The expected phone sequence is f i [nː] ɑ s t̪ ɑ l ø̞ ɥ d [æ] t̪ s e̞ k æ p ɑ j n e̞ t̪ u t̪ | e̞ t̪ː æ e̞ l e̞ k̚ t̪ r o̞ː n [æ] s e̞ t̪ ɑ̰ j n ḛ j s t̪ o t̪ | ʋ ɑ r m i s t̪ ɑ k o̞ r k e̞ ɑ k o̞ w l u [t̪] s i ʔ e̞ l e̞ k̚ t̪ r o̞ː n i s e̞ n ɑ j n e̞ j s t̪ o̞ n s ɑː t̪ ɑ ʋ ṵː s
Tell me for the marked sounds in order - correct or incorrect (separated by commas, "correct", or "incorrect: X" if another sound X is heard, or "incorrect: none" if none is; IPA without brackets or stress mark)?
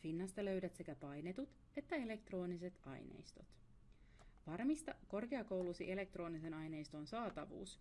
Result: correct, correct, incorrect: i, incorrect: none